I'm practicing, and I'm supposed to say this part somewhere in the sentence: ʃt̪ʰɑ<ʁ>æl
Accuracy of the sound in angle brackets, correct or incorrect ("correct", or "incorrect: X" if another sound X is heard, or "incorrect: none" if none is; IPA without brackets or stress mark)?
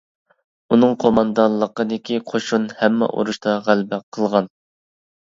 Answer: correct